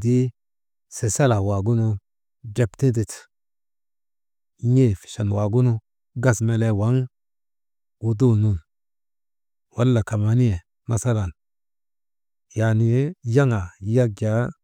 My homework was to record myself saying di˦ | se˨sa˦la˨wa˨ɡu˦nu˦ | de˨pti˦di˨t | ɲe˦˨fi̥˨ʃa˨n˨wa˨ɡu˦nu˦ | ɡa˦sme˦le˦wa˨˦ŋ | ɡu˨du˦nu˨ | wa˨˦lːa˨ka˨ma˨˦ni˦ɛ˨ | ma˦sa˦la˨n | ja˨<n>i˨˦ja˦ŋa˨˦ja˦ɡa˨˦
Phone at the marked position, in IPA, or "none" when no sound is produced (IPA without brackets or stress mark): n